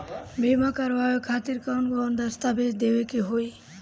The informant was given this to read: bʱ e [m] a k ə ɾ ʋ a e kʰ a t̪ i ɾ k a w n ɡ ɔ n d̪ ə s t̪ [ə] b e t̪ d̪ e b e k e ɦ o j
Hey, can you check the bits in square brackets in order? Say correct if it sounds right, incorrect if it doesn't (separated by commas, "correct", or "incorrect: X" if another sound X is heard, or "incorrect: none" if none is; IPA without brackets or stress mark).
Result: correct, incorrect: a